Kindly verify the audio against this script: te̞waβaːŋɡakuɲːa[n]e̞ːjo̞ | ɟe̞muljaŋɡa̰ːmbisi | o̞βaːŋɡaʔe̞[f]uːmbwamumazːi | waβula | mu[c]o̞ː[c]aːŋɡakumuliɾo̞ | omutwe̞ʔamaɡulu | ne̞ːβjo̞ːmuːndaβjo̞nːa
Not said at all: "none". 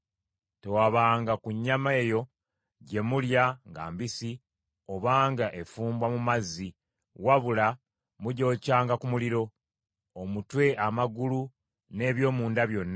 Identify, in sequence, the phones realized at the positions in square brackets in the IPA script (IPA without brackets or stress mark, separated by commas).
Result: m, f, ɟ, c